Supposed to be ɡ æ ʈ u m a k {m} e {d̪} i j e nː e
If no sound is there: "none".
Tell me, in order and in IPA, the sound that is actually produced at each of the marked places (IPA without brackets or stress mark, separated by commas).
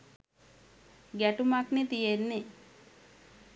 n, t̪